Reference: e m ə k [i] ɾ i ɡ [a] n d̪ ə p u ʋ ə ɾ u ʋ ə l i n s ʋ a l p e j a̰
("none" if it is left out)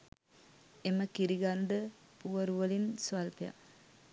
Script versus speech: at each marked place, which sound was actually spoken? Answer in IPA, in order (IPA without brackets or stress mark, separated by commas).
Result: i, a